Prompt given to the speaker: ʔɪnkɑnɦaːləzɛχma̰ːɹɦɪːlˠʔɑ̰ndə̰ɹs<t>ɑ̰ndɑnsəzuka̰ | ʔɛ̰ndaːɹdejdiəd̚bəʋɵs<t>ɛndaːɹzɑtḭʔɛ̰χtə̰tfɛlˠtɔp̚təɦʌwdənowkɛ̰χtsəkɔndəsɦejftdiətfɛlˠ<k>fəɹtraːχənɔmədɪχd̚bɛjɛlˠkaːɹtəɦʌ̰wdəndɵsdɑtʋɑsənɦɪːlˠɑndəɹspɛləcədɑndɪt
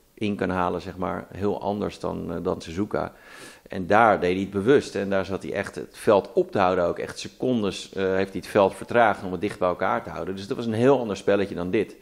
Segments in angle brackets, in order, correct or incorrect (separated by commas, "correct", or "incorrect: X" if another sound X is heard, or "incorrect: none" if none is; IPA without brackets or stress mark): incorrect: d, correct, incorrect: t